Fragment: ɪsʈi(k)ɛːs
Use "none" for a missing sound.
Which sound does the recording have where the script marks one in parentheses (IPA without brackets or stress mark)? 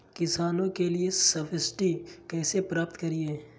k